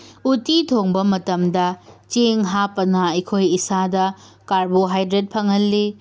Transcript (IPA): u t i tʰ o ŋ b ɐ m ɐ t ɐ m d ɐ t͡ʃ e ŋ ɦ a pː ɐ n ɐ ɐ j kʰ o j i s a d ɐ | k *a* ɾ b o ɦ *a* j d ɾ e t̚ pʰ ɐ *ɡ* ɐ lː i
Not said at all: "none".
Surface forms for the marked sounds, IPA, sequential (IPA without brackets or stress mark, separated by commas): a, a, ŋ